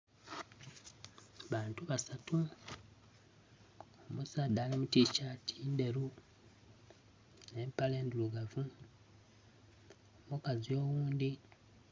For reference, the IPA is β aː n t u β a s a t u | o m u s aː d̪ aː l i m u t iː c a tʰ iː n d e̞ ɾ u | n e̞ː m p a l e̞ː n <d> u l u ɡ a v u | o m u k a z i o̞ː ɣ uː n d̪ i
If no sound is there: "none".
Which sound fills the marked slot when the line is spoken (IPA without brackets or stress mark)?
d